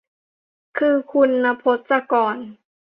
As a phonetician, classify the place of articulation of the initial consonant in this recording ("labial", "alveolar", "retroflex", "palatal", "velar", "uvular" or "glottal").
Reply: velar